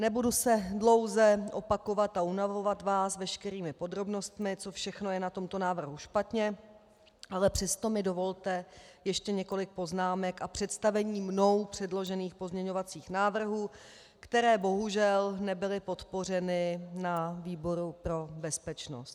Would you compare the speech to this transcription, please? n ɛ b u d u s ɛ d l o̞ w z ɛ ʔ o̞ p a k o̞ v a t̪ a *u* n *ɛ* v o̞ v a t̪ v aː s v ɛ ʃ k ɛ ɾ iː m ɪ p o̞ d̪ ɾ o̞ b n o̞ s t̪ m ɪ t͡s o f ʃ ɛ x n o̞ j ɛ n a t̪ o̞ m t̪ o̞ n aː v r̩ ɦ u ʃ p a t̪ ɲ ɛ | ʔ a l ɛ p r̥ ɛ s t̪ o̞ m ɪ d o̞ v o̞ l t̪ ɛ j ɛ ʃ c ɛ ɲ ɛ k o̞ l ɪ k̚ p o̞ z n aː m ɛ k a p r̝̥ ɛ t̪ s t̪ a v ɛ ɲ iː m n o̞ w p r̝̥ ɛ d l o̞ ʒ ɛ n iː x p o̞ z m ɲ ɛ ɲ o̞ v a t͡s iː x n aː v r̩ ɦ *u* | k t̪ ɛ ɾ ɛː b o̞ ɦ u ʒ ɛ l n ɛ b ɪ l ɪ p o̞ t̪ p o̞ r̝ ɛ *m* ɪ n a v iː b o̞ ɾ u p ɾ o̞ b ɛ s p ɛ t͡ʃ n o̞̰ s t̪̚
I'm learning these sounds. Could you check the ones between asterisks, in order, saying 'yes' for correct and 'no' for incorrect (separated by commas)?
yes, no, no, no